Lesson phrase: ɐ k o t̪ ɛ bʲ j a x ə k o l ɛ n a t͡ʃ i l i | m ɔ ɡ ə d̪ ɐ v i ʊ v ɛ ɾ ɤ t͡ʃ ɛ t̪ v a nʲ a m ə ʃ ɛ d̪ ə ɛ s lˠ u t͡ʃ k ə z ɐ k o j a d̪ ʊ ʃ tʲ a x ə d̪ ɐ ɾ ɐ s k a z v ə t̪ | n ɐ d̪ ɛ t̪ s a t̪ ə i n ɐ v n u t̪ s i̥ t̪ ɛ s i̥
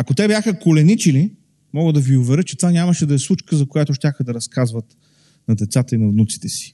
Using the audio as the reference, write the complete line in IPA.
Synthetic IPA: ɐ k o t̪ ɛ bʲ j a x ə k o l ɛ n i t͡ʃ i l i | m ɔ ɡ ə d̪ ɐ v i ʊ v ɛ ɾ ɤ t͡ʃ ɛ t̪ v a nʲ a m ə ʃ ɛ d̪ ɐ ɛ s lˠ u t͡ʃ k ə z ɐ k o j a t̪ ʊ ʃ tʲ a x ə d̪ ɐ ɾ ɐ s k a z v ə t̪ | n ɐ d̪ ɛ t̪ s a t̪ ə i n ɐ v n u t̪ s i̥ t̪ ɛ s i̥